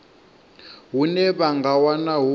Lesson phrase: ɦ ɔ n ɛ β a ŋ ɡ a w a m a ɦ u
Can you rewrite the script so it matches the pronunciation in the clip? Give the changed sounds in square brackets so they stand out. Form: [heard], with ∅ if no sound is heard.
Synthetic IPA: ɦ [u] n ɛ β a ŋ ɡ a w a [n] a ɦ u